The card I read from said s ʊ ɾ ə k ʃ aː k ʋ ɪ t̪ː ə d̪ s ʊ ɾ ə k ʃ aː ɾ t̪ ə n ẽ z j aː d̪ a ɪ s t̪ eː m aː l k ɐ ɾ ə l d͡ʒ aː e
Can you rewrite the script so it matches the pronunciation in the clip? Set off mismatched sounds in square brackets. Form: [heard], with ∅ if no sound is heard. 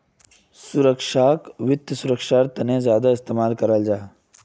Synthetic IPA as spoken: s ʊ ɾ ə k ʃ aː k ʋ ɪ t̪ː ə [∅] s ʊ ɾ ə k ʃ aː ɾ t̪ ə n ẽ z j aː d̪ a ɪ s t̪ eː m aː l k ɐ ɾ ə l d͡ʒ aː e